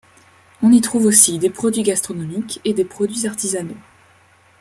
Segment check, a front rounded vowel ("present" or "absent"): absent